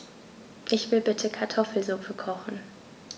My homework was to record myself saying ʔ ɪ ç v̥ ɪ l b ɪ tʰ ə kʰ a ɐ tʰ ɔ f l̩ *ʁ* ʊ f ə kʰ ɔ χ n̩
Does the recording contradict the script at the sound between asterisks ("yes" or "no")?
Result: yes